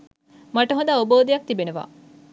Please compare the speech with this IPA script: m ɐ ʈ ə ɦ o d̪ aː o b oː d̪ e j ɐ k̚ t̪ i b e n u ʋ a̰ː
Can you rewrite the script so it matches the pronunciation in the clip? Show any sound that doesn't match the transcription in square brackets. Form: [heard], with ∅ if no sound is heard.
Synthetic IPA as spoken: m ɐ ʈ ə ɦ o d̪ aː o b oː d̪ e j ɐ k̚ t̪ i b e n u ʋ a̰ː